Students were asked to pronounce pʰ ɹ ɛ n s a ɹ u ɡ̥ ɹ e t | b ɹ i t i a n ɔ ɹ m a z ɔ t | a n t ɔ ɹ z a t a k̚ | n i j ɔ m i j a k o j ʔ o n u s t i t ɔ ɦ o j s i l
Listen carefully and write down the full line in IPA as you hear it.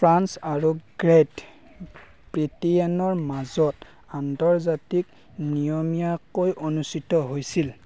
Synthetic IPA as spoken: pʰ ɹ a n s a ɹ u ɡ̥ ɹ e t | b ɹ i t i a n ɔ ɹ m a z ɔ t | a n t ɔ ɹ z a t i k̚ | n i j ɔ m i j a k o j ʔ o n u s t i t ɔ ɦ o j s i l